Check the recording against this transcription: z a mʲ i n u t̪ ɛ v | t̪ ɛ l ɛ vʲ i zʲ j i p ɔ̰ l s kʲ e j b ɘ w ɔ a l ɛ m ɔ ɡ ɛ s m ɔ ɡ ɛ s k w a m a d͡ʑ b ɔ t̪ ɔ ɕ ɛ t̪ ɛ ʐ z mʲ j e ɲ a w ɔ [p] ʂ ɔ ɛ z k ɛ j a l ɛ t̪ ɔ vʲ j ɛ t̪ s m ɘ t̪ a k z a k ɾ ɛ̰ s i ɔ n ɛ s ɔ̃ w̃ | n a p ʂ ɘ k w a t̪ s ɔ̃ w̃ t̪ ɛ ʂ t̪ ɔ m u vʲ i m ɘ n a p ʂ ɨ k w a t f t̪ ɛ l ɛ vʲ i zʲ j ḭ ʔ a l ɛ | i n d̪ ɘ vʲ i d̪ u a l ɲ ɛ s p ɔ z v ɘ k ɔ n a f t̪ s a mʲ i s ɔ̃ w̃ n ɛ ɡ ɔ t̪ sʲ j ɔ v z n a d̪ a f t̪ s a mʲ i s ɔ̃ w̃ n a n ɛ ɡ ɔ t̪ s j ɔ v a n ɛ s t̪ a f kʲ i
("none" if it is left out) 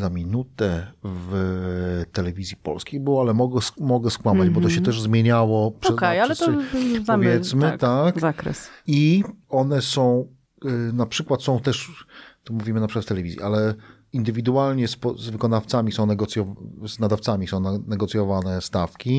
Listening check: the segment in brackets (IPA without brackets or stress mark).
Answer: p